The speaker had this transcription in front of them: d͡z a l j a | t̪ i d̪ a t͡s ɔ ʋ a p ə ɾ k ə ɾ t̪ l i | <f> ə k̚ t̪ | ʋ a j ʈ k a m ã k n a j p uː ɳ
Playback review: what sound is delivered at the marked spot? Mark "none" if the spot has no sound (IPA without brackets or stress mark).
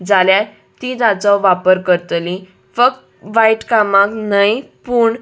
f